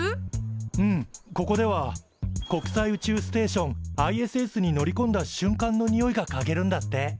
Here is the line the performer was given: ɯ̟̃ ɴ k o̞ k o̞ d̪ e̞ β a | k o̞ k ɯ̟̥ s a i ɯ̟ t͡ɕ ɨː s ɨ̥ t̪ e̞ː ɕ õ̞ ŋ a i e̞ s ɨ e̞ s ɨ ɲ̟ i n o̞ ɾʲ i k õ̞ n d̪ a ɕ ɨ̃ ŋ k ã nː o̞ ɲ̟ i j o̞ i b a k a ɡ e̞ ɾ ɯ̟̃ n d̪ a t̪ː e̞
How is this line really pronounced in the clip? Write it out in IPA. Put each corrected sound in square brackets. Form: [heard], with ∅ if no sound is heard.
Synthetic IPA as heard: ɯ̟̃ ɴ k o̞ k o̞ d̪ e̞ β a | k o̞ k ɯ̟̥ s a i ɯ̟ t͡ɕ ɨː s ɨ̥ t̪ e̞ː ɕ õ̞ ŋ a i e̞ s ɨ e̞ s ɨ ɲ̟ i n o̞ ɾʲ i k õ̞ n d̪ a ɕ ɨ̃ ŋ k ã nː o̞ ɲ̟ i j o̞ i [ɡ] a k a ɡ e̞ ɾ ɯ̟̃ n d̪ a t̪ː e̞